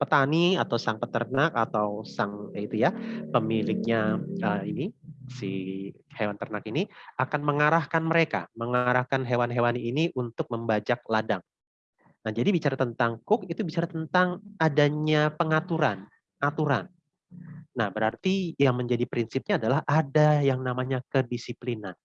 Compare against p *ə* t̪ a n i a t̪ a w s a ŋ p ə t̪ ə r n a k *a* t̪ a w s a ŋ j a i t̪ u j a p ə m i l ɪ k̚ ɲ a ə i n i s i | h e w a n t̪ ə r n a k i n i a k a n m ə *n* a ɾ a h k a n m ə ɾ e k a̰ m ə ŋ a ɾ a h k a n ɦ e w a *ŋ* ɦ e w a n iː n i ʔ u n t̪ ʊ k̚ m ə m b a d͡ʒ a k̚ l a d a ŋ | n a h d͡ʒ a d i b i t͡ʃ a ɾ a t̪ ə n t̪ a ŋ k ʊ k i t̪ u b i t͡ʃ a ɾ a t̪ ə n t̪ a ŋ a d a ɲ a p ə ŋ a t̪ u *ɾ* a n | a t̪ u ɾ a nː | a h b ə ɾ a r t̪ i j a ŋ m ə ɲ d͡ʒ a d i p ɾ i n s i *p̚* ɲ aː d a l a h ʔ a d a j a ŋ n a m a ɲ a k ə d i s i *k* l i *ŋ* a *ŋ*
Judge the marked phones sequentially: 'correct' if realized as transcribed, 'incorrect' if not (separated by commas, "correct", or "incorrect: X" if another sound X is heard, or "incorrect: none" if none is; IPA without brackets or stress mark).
correct, correct, incorrect: ŋ, incorrect: n, correct, correct, incorrect: p, incorrect: n, incorrect: n